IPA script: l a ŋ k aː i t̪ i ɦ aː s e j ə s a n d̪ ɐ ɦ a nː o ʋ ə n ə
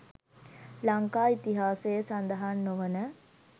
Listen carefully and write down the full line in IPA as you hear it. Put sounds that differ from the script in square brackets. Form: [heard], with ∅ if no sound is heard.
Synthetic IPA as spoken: l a ŋ k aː i t̪ i ɦ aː s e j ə s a n d̪ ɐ ɦ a nː o ʋ ə n ə